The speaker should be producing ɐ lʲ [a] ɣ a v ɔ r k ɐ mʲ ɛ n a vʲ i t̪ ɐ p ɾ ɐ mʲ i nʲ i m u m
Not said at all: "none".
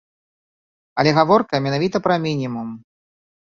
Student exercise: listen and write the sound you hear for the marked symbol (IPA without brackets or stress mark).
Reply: ɛ